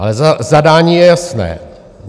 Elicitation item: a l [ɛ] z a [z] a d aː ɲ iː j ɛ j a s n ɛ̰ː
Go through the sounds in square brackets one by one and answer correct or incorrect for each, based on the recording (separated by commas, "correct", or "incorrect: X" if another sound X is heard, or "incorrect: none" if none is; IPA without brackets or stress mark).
correct, correct